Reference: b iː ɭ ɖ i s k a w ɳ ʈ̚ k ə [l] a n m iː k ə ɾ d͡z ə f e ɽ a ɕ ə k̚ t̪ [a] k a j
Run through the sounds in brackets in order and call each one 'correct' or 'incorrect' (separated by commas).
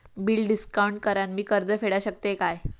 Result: incorrect, incorrect